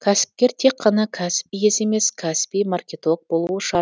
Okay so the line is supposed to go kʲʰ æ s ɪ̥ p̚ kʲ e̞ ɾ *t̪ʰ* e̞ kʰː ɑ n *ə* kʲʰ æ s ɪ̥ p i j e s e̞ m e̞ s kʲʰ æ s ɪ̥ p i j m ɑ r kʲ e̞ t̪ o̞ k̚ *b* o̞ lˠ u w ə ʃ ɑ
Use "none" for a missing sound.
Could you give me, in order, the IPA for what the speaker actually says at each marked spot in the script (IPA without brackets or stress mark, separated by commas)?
t̪ʰ, ɑ, b